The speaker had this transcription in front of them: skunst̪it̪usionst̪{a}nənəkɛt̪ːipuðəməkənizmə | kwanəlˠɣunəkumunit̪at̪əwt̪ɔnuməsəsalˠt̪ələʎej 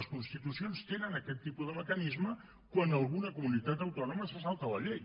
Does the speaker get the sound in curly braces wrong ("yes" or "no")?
yes